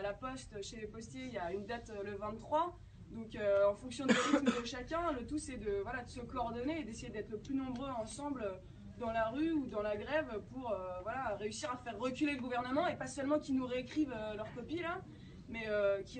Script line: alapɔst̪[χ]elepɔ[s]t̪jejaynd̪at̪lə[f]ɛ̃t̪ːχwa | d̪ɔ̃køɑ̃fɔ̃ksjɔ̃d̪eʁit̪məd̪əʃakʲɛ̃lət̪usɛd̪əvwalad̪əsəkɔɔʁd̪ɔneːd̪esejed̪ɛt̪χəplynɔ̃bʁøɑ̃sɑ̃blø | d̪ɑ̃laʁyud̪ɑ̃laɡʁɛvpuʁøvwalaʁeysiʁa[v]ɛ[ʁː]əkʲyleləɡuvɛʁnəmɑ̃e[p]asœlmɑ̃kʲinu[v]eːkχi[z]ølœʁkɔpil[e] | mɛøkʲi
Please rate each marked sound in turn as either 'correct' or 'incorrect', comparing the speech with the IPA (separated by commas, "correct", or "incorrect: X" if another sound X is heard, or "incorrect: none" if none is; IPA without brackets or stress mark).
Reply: incorrect: ʃ, correct, incorrect: v, incorrect: f, correct, correct, incorrect: ʁ, incorrect: v, incorrect: a